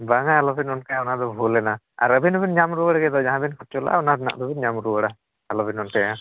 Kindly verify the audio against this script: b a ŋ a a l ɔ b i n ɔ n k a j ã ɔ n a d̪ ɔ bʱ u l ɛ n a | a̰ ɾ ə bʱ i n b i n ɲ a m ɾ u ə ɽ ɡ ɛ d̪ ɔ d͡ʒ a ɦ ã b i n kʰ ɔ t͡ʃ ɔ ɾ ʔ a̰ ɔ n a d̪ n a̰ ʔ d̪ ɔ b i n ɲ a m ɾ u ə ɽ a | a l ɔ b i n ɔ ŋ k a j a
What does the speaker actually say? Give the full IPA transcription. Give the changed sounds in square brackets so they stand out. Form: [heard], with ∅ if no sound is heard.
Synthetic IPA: b a ŋ a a l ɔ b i n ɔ n k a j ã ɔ n a d̪ ɔ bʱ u l ɛ n a | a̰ ɾ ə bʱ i n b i n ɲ a m ɾ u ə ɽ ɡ ɛ d̪ ɔ d͡ʒ a ɦ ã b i n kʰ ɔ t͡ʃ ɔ [l] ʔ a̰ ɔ n a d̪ n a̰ ʔ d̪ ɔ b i n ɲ a m ɾ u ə ɽ a | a l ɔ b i n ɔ [n] k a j a